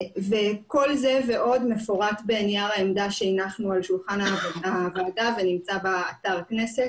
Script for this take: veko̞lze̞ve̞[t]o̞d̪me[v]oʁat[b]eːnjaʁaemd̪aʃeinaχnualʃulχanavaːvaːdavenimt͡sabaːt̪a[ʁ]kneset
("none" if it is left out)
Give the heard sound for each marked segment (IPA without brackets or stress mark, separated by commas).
ʔ, f, b, ʁ